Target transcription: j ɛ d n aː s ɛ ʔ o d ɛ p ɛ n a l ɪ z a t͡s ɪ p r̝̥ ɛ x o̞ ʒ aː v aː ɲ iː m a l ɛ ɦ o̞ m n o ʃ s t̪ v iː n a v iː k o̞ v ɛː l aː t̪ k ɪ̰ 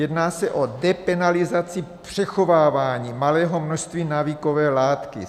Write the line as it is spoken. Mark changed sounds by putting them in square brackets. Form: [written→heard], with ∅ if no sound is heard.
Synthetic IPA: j ɛ d n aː s ɛ ʔ o d ɛ p ɛ n a l ɪ z a t͡s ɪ p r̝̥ ɛ x o̞ [ʒ→v] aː v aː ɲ iː m a l [ɛ→ɛː] ɦ o̞ m n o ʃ s t̪ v iː n a v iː k o̞ v ɛː l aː t̪ k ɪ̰